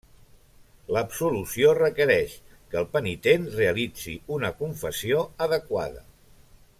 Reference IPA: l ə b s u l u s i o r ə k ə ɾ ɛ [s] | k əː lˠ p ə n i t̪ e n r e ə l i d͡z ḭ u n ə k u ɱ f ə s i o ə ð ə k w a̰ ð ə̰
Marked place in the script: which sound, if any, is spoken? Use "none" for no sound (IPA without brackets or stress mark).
ʃ